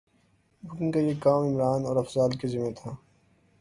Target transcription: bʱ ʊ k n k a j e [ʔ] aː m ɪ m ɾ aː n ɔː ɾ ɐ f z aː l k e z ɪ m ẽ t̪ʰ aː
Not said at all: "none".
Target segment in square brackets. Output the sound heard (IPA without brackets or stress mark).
k